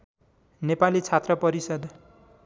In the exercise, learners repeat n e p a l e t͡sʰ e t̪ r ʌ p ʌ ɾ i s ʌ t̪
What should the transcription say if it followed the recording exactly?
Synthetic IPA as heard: n e p a l i t͡sʰ a t̪ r ʌ p ʌ ɾ i s ʌ d̪